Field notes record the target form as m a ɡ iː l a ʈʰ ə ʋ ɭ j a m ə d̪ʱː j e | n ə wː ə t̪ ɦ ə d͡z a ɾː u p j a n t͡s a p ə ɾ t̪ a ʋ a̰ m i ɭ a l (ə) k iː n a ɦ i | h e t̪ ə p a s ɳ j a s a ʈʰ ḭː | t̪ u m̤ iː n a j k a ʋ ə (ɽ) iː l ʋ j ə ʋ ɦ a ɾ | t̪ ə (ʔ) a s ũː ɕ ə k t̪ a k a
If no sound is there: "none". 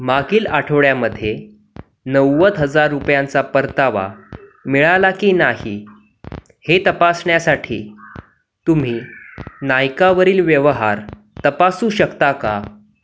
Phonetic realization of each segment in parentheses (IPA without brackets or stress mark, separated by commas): a, ɾ, p